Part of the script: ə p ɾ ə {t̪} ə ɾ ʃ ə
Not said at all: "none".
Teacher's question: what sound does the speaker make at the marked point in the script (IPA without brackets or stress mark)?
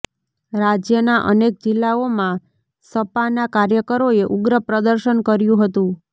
d̪